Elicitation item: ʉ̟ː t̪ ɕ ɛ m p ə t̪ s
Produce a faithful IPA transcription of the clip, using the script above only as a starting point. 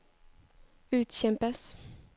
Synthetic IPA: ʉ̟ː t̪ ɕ ɛ m p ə s